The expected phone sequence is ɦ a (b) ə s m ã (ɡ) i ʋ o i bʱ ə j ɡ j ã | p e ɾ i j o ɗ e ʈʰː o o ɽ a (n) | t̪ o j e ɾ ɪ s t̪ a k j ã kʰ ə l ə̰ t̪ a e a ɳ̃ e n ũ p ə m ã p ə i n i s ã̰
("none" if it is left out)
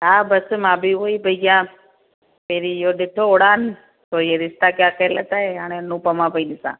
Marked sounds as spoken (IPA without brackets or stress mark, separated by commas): b, b, n